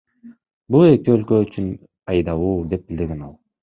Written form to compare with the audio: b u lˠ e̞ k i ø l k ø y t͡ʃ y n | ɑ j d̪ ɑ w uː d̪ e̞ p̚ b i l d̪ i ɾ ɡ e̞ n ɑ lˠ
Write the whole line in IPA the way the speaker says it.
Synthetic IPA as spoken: b u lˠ e̞ k i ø l k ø y t͡ʃ y n | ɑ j d̪ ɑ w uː d̪ e̞ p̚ b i l d̪ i ɾ ɡ e̞ n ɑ lˠ

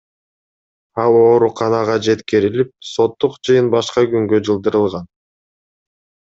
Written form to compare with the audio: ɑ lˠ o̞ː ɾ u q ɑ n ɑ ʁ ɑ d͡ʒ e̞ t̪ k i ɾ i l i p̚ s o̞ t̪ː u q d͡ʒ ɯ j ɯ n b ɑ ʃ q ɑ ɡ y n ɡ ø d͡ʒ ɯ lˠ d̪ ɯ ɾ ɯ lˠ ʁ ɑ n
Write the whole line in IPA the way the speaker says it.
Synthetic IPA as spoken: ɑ lˠ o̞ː ɾ u q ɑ n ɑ ʁ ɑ d͡ʒ e̞ t̪ k i ɾ i l i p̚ s o̞ t̪ː u q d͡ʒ ɯ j ɯ n b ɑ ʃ q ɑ ɡ y ŋ ɡ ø d͡ʒ ɯ lˠ d̪ ɯ ɾ ɯ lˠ ʁ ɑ n

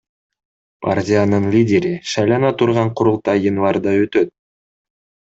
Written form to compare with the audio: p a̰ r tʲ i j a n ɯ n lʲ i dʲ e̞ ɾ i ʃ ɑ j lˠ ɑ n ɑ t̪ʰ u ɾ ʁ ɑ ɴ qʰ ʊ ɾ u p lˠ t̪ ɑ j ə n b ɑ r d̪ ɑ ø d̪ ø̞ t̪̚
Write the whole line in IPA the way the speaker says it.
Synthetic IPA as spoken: p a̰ r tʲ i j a n ɯ n lʲ i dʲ e̞ ɾ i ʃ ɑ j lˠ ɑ n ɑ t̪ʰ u ɾ ʁ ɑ ɴ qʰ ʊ ɾ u lˠ t̪ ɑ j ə n v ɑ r d̪ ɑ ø t̪ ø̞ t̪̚

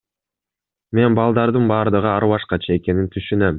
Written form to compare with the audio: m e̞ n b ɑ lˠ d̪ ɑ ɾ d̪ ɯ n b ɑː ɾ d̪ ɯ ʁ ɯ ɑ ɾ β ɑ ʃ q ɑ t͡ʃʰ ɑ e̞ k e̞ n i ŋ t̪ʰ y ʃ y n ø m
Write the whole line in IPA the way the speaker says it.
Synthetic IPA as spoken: m e̞ n b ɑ lˠ d̪ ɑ ɾ d̪ ɯ n b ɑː ɾ d̪ ɯ ʁ ɯ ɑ ɾ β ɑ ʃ q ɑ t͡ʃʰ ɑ e̞ k e̞ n i n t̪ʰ y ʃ y n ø m

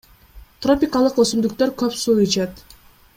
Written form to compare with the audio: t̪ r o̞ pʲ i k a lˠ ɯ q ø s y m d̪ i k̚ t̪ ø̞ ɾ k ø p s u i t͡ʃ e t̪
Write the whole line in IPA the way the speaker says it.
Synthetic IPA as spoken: t̪ r o̞ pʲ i k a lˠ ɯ q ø s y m d̪ y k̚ t̪ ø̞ ɾ k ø p s u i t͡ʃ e t̪

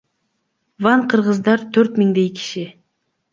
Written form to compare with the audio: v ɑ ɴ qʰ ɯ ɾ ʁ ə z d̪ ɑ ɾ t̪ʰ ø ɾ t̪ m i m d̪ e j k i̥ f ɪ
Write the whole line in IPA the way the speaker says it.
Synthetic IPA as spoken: v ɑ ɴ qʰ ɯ ɾ ʁ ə z d̪ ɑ ɾ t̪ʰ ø ɾ t̪ m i ŋ d̪ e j k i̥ ʃ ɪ

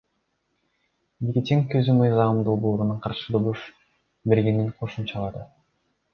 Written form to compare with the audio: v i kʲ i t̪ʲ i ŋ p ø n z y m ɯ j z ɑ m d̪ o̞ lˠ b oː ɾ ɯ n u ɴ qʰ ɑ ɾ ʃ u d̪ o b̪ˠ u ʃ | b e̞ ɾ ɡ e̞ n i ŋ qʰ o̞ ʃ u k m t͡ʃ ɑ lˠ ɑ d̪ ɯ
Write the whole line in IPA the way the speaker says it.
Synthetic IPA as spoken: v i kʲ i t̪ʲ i ŋ k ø z y m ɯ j z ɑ m d̪ o̞ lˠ b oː ɾ u n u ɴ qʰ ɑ ɾ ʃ ɯ d̪ o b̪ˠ u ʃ | b e̞ ɾ ɡ e̞ n i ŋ qʰ o̞ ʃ u m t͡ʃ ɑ lˠ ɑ d̪ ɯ

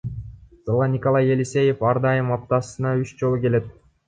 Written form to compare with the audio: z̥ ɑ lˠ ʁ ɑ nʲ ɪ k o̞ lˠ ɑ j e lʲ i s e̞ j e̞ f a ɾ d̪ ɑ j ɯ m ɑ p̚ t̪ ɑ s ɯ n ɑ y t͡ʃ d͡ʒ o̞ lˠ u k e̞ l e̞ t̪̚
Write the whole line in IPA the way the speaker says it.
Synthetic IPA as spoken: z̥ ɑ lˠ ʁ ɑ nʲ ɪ k o̞ lˠ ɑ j e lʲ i s e̞ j e̞ f ɑ ɾ d̪ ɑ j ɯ m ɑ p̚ t̪ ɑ s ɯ n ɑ y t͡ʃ d͡ʒ o̞ lˠ u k e̞ l e̞ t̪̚

